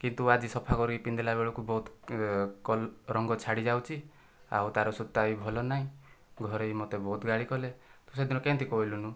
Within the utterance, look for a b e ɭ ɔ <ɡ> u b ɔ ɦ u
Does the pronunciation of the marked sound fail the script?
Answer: yes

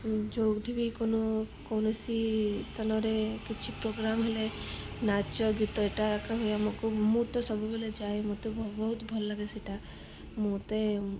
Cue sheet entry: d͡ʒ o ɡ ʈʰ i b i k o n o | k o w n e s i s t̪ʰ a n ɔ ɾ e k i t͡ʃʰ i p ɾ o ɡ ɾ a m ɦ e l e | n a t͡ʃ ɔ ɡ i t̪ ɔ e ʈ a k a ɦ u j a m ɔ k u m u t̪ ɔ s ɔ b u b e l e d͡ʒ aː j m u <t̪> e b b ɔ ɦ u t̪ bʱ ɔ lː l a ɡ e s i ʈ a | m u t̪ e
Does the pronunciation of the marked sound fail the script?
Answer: no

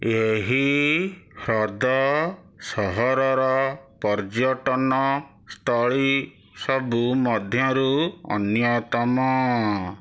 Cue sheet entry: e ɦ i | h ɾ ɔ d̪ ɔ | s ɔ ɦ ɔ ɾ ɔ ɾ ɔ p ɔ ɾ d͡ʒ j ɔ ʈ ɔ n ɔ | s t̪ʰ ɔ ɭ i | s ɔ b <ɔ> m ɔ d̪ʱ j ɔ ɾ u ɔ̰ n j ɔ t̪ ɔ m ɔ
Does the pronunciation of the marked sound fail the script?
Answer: yes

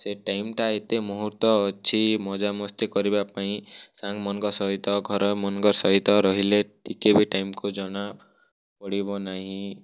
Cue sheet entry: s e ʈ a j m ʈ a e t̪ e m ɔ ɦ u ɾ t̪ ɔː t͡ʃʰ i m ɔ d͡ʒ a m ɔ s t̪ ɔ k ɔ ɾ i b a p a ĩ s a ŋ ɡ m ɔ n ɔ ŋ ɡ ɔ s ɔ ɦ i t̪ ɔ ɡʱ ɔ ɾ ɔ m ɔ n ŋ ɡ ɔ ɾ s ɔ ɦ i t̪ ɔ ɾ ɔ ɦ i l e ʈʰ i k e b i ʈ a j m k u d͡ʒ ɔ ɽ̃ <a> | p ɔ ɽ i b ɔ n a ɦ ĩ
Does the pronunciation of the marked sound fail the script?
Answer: no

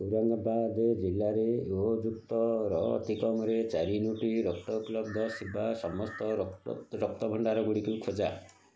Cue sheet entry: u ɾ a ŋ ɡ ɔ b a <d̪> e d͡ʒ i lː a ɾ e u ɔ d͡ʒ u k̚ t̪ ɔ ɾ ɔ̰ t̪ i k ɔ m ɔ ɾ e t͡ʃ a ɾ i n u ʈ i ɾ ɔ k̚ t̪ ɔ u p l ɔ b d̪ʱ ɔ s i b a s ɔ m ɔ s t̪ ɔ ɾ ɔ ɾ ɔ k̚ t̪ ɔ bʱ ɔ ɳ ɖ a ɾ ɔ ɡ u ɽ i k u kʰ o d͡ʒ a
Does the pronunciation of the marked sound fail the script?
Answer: no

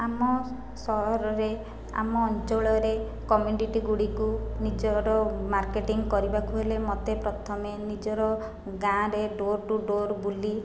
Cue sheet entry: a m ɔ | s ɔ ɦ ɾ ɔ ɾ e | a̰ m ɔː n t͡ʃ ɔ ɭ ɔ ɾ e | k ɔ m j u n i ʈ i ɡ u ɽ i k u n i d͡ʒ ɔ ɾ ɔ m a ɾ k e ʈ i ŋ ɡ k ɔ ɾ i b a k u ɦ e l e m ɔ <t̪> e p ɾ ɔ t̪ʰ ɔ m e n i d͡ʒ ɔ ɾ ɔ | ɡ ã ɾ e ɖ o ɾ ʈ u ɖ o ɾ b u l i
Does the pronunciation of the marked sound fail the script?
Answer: no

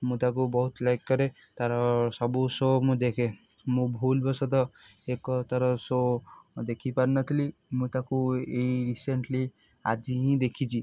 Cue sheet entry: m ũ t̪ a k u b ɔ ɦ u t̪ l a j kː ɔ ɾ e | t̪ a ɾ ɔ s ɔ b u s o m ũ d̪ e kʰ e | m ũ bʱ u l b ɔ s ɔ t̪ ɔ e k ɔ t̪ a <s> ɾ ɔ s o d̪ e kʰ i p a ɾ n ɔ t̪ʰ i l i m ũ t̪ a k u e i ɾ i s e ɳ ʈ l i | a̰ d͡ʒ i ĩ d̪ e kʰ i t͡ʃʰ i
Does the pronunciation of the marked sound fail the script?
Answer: yes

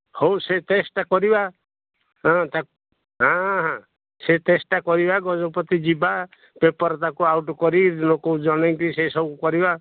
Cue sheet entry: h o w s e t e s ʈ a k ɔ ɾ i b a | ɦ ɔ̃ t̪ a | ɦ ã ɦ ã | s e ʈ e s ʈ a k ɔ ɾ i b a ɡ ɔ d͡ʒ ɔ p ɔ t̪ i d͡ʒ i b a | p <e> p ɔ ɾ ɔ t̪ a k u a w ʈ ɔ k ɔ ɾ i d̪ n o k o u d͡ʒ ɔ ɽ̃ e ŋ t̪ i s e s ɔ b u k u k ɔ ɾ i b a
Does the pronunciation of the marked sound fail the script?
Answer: no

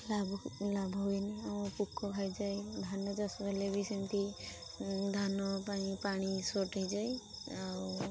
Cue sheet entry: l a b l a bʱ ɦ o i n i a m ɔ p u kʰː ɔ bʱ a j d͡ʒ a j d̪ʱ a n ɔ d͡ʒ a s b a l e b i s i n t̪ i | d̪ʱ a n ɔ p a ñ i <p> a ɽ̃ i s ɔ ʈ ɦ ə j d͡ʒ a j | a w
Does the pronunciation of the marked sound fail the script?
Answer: no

